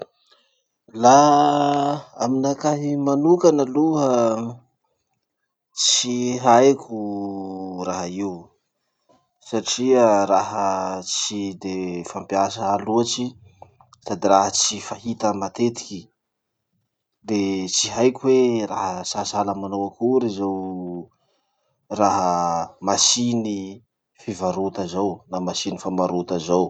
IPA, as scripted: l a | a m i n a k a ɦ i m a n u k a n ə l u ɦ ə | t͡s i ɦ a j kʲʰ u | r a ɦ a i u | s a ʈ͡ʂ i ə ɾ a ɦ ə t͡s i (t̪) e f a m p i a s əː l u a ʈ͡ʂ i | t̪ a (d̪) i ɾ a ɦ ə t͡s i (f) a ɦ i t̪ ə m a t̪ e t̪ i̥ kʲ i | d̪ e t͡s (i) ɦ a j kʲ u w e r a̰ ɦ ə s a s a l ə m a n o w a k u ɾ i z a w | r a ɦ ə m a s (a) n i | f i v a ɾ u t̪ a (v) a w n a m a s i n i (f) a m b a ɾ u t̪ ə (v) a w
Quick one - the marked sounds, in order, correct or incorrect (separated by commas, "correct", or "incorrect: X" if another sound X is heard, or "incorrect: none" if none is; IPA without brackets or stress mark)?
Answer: incorrect: d̪, correct, correct, correct, incorrect: i, incorrect: z, correct, incorrect: z